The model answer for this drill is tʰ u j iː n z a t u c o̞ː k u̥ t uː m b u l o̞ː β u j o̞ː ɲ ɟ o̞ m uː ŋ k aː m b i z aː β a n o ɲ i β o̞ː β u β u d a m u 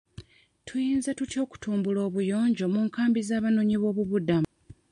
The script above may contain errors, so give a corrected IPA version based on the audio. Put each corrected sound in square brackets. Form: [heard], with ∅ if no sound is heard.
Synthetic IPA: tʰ u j iː n z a t u c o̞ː k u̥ t uː m b u l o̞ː β u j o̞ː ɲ ɟ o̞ m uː ŋ k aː m b i z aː β a n o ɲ i β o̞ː β u β u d a m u

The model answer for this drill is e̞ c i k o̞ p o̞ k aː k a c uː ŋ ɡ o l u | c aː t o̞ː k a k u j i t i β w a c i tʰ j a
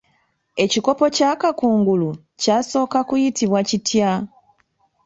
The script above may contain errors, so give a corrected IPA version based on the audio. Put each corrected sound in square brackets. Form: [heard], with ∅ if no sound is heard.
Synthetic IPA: e̞ c i k o̞ p o̞ [c] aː k a [k] uː ŋ ɡ [u] l u | c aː [s] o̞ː k a k u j i t i β w a c i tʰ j a

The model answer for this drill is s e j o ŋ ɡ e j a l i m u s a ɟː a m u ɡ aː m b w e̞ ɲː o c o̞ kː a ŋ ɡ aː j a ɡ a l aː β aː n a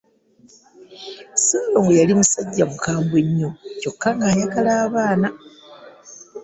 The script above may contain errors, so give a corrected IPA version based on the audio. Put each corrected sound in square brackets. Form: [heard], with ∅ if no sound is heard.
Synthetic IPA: s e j o ŋ ɡ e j a l i m u s a ɟː a m u [k] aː m b w e̞ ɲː o c o̞ kː a ŋ ɡ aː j a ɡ a l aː β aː n a

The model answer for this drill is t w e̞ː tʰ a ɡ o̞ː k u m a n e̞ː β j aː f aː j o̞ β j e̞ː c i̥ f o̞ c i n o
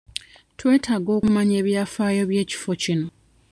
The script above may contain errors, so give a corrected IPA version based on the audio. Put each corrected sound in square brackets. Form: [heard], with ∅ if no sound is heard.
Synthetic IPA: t w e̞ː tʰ a ɡ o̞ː k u m a [ɲ] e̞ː β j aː f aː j o̞ β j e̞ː c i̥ f o̞ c i n o

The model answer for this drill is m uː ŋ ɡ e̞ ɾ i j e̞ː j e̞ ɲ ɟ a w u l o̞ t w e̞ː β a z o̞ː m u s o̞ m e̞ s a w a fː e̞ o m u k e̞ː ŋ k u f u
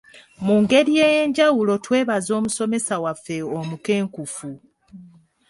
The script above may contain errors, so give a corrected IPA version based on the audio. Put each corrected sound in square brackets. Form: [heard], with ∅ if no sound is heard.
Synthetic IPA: m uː ŋ ɡ e̞ ɾ i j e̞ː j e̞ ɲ ɟ a w u l o̞ t w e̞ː β a z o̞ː m u s o̞ m e̞ s a w a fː e̞ o m u k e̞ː ŋ k u f u

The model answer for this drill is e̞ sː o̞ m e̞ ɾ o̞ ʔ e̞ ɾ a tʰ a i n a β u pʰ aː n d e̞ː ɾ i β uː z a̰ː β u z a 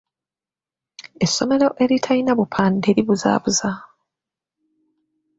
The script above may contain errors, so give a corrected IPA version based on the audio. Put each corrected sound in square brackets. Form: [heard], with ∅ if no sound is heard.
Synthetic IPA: e̞ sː o̞ m e̞ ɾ o̞ ʔ e̞ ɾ [i] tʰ a i n a β u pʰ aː n d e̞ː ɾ i β [u] z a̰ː β u z a

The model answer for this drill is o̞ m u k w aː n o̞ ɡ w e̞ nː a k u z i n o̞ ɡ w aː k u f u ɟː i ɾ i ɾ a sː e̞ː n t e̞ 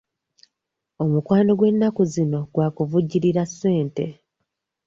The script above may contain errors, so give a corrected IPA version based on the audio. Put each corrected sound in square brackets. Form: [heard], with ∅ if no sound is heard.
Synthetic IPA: o̞ m u k w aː n o̞ ɡ w e̞ nː a k u z i n o̞ ɡ w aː k u [v] u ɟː i ɾ i ɾ a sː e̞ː n t e̞

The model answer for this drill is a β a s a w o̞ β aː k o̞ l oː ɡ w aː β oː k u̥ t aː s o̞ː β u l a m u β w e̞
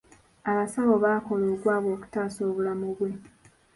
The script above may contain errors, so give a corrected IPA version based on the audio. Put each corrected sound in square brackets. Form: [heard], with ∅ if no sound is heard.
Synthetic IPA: a β a s a [β] o̞ β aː k o̞ l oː ɡ w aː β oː k u̥ t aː s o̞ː β u l a m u β w e̞

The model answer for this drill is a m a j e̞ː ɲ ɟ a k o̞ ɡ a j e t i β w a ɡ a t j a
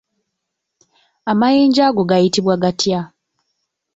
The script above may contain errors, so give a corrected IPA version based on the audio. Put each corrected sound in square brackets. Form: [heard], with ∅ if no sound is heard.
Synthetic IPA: a m a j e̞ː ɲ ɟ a [ɡ] o̞ ɡ a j [i] t i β w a ɡ a t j a

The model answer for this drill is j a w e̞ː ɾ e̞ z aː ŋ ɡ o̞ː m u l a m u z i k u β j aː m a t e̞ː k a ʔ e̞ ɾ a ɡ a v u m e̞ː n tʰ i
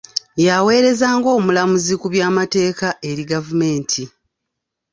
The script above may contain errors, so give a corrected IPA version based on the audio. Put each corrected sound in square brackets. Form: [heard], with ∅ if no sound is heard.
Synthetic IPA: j a w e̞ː ɾ e̞ z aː ŋ ɡ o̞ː m u l a m u z i k u β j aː m a t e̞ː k a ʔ e̞ ɾ [i] ɡ a v u m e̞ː n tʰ i

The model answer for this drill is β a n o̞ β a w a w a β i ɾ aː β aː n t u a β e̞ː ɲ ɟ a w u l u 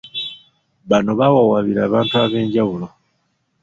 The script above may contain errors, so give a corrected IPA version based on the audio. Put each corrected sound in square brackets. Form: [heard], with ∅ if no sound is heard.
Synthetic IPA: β a n o̞ β a w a w a β i ɾ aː β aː n t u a β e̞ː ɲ ɟ a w u l [o]

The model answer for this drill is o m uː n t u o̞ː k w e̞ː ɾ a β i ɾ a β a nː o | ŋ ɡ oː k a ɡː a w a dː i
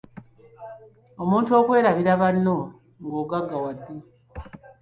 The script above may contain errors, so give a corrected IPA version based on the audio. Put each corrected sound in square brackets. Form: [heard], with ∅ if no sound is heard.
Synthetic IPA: o m uː n t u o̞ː k w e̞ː ɾ a β i ɾ a β a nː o | ŋ ɡ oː [ɡ] a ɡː a w a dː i

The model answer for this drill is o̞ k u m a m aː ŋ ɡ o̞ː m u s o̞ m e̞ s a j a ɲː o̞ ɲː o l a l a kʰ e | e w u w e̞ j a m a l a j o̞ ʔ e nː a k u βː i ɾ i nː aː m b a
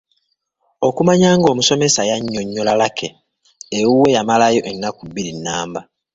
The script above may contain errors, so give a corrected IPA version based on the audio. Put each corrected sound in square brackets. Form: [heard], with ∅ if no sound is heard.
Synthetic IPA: o̞ k u m a [ɲ] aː ŋ ɡ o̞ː m u s o̞ m e̞ s a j a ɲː o̞ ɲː o l a l a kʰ e | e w u w e̞ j a m a l a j o̞ ʔ e nː a k u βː i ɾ i nː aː m b a

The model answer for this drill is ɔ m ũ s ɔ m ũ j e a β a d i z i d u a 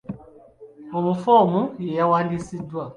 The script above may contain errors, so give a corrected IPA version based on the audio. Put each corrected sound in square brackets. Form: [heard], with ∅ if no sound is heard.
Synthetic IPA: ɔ m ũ [f] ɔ m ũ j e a [w] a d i [s] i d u a

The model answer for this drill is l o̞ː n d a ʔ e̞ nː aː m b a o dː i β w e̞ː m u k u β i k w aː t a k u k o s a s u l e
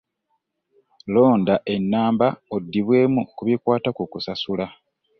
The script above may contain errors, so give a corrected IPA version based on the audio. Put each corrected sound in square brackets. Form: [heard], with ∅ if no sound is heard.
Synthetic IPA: l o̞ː n d a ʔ e̞ nː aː m b a o dː i β w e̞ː m u k u β i k w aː t a k u k [u] s a s u l [a]

